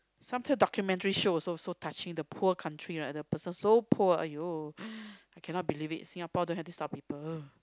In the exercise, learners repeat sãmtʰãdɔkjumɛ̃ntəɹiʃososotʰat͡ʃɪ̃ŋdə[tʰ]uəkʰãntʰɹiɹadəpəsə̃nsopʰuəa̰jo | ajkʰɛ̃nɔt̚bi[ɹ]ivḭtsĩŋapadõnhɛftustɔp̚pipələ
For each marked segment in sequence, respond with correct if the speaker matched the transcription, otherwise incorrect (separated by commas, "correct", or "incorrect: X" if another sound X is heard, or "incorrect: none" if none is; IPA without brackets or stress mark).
incorrect: pʰ, incorrect: l